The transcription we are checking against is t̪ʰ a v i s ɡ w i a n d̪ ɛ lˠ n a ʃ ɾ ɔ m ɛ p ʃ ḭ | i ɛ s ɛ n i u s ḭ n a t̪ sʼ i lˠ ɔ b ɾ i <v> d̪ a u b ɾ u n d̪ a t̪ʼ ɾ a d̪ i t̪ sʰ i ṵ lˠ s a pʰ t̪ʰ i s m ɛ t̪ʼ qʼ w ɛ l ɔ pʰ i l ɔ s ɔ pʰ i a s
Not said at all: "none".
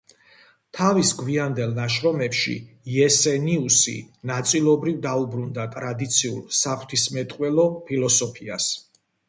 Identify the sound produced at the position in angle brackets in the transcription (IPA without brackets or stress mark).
v